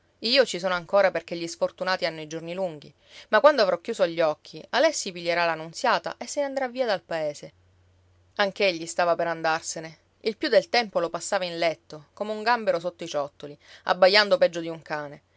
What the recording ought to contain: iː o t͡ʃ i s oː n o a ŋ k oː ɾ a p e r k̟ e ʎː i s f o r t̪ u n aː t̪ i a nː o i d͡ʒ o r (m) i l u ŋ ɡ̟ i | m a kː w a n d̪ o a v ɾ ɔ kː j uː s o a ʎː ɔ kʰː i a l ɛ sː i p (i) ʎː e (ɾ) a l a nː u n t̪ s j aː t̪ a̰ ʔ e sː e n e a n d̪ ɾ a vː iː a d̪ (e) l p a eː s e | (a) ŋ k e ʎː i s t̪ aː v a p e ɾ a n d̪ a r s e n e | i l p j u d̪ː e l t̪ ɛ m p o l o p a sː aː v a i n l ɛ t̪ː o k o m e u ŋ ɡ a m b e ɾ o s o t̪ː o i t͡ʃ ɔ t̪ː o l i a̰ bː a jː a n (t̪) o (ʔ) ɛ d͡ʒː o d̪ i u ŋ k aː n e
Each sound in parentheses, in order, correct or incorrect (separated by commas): incorrect, correct, correct, incorrect, correct, incorrect, incorrect